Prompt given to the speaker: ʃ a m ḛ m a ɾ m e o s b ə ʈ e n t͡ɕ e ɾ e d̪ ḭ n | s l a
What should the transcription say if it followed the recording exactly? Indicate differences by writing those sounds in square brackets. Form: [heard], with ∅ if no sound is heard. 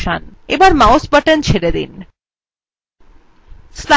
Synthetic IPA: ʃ a [n] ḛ [b] a ɾ m [a] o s b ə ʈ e n [t͡ɕʰ] e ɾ e d̪ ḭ n | s l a

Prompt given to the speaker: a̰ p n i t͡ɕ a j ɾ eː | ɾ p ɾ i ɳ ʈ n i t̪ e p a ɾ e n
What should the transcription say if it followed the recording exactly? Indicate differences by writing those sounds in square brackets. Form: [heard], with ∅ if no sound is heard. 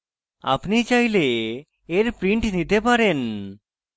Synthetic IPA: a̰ p n i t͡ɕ a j [l] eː | ɾ p ɾ i ɳ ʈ n i t̪ e p a ɾ e n

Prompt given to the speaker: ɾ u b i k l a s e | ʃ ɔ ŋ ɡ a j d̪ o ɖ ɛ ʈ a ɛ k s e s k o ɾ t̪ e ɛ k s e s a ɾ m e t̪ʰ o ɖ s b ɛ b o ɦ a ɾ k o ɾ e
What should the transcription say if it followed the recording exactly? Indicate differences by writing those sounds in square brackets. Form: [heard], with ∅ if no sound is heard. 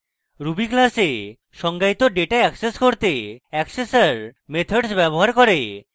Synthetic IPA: ɾ u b i k l a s e | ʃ ɔ ŋ ɡ a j [t̪] o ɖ [e] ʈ a ɛ k s e s k o ɾ t̪ e ɛ k s e s a ɾ m e t̪ʰ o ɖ s b ɛ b o ɦ a ɾ k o ɾ e

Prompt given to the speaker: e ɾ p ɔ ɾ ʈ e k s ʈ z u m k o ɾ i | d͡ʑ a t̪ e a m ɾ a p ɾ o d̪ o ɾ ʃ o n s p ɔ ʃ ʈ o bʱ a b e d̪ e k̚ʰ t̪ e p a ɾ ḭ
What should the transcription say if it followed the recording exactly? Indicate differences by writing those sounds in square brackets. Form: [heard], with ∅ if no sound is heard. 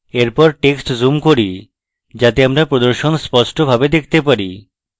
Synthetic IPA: e ɾ p ɔ ɾ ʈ e k s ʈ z u m k o ɾ i | d͡ʑ a t̪ e a m ɾ a p ɾ o d̪ o ɾ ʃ o n s p ɔ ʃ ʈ o bʱ a b e d̪ e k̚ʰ t̪ e p a ɾ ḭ

